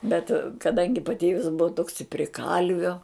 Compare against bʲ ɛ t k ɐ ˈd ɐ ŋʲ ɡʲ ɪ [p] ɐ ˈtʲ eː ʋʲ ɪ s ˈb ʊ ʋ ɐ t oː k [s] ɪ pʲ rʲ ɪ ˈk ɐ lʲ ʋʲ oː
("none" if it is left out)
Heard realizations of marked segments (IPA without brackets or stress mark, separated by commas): p, s